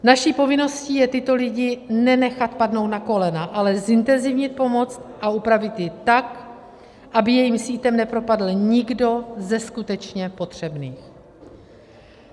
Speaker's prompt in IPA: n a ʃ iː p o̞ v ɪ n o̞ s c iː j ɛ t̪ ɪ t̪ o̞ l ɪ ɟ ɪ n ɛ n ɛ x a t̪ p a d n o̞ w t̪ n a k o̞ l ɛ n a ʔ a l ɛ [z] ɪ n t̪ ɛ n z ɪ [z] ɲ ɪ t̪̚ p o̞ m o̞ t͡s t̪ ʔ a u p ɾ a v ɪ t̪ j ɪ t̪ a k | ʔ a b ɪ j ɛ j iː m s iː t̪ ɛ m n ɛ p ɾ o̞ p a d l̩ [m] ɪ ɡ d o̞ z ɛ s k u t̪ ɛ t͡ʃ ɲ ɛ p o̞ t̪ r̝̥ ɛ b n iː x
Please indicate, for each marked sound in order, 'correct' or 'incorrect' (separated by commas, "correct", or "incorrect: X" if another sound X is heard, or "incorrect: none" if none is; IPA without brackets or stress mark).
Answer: correct, incorrect: v, incorrect: ɲ